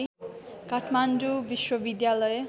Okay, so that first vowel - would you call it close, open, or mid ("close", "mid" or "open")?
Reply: open